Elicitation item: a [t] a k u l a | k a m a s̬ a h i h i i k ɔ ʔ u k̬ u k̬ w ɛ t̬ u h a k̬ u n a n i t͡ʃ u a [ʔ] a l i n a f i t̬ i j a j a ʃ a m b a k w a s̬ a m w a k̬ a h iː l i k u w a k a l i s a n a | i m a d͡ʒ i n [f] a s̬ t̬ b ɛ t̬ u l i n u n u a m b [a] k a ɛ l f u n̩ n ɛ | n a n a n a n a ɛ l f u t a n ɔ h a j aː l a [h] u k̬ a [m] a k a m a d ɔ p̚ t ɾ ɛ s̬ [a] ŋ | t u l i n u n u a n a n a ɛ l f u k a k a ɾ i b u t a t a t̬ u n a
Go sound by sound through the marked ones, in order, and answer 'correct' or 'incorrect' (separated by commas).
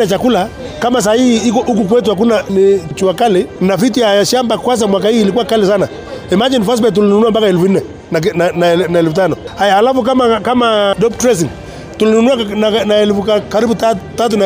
incorrect, incorrect, correct, correct, incorrect, correct, incorrect